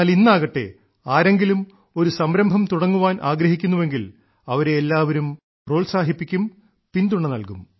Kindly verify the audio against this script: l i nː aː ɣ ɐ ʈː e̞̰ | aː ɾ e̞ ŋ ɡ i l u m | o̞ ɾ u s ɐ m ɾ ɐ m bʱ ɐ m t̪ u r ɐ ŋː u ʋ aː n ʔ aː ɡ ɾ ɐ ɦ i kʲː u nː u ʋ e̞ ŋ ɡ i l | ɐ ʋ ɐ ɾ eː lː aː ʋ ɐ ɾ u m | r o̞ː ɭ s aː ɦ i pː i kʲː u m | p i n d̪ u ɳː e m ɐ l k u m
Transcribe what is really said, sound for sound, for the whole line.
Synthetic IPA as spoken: l i nː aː ɣ ɐ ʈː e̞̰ | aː ɾ e̞ ŋ ɡ i l u m | o̞ ɾ u s ɐ m ɾ ɐ m bʱ ɐ m t̪ u ɽ ɐ ŋː u ʋ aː n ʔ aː ɡ ɾ ɐ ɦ i kʲː u nː u ʋ e̞ ŋ ɡ i l | ɐ ʋ ɐ ɾ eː lː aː ʋ ɐ ɾ u m | r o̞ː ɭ s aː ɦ i pː i kʲː u m | p i n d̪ u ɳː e n ɐ l k u m